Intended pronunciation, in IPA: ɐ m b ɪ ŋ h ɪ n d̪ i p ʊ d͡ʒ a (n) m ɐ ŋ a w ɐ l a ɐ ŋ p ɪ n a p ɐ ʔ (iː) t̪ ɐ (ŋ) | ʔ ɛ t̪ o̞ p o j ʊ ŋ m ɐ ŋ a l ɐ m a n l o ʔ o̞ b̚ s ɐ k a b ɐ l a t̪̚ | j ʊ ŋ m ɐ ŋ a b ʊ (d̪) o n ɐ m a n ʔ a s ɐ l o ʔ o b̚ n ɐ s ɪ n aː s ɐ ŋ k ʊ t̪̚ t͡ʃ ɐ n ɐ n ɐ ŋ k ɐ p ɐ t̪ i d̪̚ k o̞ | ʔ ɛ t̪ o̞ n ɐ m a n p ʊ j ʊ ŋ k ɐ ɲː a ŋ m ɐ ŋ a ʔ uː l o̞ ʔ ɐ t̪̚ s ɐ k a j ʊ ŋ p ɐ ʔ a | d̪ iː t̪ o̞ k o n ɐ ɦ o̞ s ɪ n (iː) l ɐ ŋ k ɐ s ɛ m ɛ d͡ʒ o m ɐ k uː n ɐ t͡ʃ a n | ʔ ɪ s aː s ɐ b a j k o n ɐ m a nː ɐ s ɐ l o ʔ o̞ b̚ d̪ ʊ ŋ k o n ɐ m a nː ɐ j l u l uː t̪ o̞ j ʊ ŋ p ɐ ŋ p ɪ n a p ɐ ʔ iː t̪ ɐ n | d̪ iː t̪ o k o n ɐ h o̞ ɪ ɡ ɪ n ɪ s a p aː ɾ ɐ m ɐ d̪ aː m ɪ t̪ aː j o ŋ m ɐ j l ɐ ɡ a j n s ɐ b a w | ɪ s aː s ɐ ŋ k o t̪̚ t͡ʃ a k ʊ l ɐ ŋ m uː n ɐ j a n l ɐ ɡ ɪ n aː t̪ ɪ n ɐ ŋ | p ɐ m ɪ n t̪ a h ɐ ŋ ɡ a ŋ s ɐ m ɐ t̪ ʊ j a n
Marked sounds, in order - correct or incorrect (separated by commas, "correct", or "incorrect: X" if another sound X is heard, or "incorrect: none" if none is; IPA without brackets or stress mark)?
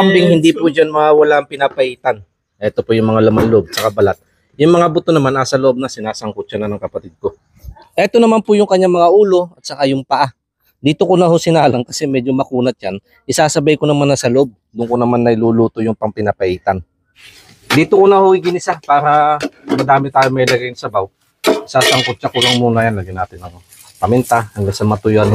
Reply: correct, correct, incorrect: n, incorrect: t̪, incorrect: aː